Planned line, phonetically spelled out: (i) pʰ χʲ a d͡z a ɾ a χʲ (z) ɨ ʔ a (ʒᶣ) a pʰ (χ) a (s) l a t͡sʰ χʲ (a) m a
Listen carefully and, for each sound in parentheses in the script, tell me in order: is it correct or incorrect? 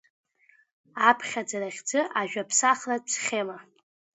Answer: incorrect: a, incorrect: d͡z, correct, incorrect: s, incorrect: χ, incorrect: e

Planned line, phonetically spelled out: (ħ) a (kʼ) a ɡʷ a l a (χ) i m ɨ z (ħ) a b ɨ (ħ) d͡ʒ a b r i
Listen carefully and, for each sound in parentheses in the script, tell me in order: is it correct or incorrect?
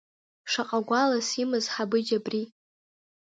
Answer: incorrect: ʂ, incorrect: qʼ, incorrect: s, correct, incorrect: none

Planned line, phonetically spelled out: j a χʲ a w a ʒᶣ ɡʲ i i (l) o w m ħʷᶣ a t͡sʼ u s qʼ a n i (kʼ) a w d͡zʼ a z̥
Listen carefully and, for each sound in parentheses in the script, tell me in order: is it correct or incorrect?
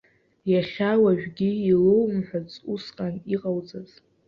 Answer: correct, incorrect: qʼ

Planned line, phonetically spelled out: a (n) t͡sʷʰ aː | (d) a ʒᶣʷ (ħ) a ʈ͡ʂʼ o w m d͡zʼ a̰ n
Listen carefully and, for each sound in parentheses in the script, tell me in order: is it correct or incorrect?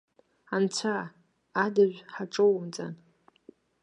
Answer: correct, correct, correct

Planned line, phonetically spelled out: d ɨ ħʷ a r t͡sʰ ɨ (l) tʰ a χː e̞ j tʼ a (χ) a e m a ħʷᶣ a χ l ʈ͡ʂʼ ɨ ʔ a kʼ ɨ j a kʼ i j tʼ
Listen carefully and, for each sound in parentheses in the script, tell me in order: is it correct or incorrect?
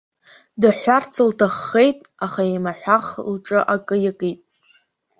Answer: correct, correct

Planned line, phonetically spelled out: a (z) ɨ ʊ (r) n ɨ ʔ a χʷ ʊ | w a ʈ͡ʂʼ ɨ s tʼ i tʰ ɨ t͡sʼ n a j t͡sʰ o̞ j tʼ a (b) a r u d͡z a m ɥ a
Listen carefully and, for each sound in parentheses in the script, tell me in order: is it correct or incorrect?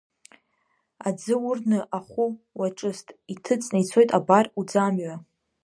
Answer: incorrect: d͡z, correct, correct

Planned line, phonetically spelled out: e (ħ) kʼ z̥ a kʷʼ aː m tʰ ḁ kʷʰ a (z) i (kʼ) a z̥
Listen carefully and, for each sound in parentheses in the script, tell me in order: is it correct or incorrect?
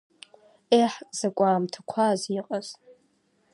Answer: correct, correct, incorrect: qʼ

